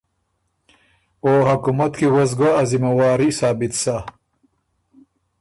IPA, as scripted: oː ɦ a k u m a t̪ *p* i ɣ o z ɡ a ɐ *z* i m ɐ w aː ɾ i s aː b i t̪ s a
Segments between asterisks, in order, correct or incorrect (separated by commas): incorrect, correct